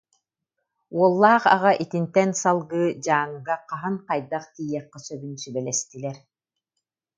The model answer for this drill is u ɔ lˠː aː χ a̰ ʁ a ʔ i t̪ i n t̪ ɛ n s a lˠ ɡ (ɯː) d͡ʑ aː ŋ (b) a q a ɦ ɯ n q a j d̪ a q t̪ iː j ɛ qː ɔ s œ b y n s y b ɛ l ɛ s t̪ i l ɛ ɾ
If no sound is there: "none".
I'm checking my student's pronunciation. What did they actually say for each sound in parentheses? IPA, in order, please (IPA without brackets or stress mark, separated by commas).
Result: ɯː, ɡ